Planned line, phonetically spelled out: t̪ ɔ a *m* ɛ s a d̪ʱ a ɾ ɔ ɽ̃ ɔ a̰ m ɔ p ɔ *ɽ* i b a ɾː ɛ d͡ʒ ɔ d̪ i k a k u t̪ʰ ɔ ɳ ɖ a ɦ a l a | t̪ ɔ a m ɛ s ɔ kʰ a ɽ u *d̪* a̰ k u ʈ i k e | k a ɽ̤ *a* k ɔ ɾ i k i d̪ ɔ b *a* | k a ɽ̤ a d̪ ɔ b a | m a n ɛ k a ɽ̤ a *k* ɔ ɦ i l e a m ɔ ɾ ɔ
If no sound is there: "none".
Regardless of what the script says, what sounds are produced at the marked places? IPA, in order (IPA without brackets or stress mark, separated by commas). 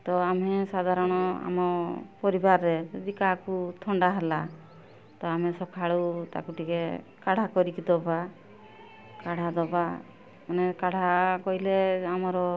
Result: m, ɾ, t̪, a, a, k